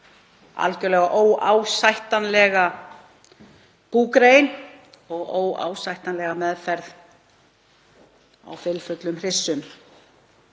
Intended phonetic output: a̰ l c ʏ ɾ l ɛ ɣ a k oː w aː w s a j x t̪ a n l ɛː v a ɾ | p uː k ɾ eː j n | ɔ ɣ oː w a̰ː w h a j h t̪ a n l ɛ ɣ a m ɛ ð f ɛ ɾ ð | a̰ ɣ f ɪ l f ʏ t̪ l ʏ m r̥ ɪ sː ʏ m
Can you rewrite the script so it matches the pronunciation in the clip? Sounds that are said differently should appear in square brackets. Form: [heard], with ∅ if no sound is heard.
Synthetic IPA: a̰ l c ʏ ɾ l ɛ ɣ a [ʔ] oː w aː w s a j [h] t̪ a n l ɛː [ɣ] a [∅] | p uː k ɾ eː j n | ɔ ɣ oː w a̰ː w [s] a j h t̪ a n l ɛ ɣ a m ɛ ð f ɛ ɾ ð | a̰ [w] f ɪ l f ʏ t̪ l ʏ m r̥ ɪ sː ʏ m